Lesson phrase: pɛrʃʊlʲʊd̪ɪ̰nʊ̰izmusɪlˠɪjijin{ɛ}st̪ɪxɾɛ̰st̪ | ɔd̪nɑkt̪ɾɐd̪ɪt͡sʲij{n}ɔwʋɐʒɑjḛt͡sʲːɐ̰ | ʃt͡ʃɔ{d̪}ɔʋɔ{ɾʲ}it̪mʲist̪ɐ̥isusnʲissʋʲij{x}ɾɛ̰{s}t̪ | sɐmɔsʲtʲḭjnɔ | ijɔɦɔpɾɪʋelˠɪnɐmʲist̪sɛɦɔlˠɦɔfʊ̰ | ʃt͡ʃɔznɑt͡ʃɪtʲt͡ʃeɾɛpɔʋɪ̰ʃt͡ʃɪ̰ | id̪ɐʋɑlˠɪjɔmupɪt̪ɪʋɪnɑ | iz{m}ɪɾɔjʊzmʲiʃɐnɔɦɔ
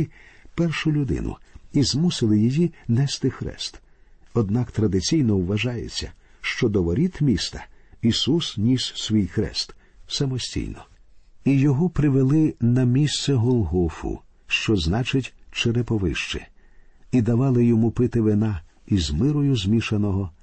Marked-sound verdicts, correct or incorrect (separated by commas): correct, correct, correct, correct, correct, correct, correct